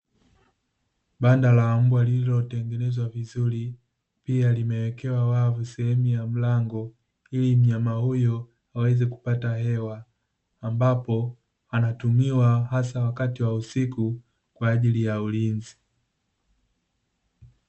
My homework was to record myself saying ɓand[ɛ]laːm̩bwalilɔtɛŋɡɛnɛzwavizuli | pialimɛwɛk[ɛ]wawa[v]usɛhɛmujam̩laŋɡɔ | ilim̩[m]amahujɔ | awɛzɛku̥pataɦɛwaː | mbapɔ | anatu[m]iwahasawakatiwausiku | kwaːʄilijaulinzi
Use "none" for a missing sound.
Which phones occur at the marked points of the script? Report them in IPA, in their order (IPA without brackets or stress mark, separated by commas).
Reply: a, ɛ, v, ɲ, m